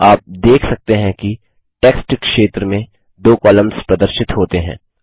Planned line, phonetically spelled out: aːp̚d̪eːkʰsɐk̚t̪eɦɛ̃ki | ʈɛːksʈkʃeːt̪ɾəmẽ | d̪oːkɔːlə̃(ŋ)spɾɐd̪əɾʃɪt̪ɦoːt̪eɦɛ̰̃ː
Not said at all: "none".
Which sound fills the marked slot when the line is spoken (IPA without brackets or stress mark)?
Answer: m